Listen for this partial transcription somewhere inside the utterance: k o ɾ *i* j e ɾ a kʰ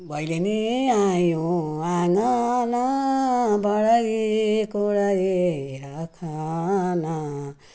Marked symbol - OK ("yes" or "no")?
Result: no